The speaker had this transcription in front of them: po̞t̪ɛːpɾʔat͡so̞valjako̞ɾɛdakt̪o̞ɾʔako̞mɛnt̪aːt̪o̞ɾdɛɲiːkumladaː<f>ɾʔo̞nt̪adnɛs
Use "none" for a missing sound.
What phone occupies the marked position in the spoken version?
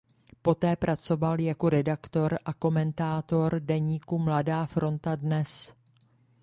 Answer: f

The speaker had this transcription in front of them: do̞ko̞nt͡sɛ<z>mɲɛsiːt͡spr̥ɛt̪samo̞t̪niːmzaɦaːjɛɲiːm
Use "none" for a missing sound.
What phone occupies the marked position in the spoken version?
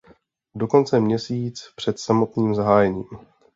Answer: none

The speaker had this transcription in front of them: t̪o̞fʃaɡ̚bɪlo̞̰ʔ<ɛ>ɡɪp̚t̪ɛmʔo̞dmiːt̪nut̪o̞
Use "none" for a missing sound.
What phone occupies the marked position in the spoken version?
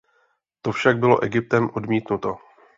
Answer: ɛ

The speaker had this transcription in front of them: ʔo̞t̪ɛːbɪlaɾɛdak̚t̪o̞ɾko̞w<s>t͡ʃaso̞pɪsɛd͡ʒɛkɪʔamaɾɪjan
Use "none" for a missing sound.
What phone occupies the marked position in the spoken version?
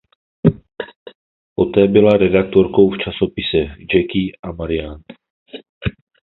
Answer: f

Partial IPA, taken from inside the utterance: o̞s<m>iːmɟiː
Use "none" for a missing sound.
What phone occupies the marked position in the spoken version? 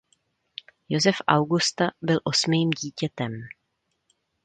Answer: m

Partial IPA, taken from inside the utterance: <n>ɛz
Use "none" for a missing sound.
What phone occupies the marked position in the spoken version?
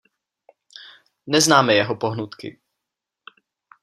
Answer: n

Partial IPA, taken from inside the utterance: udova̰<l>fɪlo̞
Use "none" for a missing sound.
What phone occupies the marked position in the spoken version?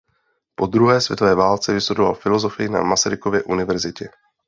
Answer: l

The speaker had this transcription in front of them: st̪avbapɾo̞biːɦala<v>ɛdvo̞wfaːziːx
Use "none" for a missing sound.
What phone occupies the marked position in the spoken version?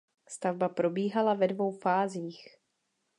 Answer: v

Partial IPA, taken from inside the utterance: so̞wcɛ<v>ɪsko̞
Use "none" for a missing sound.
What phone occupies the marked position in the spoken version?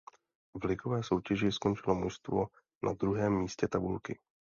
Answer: ʒ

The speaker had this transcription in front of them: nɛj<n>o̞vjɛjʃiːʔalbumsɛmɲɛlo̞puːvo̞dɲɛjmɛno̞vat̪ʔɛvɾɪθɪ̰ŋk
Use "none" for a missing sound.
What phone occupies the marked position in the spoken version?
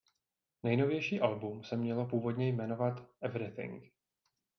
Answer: n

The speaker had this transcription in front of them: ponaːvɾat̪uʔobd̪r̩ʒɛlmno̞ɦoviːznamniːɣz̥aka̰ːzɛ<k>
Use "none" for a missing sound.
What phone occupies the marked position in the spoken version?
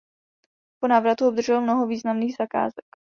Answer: k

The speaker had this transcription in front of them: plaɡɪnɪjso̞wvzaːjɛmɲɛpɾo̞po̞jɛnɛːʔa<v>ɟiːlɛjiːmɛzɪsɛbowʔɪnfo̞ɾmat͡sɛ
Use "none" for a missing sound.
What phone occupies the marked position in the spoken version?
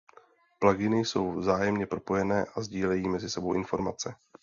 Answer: z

